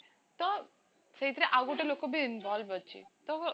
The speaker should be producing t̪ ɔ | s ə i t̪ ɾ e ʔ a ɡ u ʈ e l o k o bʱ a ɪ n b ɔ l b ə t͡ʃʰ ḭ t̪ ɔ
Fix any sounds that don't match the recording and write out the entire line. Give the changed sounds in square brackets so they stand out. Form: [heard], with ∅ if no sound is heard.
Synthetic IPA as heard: t̪ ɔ | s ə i t̪ ɾ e ʔ a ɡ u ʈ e l o k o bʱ [i] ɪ n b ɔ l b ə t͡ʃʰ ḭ t̪ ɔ

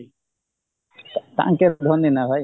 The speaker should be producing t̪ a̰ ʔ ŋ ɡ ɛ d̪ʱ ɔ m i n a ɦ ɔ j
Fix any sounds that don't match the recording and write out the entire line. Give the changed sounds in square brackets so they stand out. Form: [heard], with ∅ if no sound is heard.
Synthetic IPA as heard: t̪ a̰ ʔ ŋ [k] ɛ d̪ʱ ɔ [n] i n a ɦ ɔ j

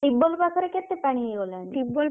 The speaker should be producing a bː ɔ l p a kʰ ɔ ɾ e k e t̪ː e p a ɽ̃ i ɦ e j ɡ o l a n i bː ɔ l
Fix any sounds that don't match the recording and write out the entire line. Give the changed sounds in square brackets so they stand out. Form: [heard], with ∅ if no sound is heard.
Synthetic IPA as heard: [i] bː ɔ l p a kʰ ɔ ɾ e k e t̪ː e p a ɽ̃ i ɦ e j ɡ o l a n i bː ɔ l

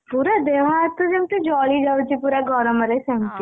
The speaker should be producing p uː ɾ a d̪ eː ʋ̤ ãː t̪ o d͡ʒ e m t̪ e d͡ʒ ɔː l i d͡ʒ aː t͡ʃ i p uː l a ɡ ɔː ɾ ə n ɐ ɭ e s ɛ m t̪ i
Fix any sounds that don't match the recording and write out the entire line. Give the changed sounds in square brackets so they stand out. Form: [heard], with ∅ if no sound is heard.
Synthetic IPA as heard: p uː ɾ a d̪ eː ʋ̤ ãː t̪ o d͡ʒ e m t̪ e d͡ʒ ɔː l i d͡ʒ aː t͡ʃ i p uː [ɾ] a ɡ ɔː ɾ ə [m] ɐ [ɾ] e s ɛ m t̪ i

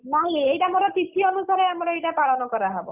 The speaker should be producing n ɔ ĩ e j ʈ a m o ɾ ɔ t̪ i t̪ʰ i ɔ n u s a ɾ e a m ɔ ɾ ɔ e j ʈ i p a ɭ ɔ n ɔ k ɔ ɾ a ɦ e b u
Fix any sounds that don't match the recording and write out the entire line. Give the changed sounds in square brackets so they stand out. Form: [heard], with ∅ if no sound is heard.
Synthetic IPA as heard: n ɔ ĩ e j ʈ a m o ɾ ɔ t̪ i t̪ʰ i ɔ n u s a ɾ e a m ɔ ɾ ɔ e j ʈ [a] p a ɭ ɔ n ɔ k ɔ ɾ a ɦ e b [ɔ]

